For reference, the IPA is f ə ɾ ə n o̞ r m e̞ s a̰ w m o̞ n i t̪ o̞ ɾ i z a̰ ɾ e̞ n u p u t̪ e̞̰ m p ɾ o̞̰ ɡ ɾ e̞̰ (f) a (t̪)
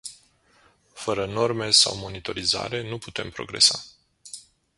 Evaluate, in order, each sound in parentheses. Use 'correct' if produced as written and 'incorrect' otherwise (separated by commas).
incorrect, incorrect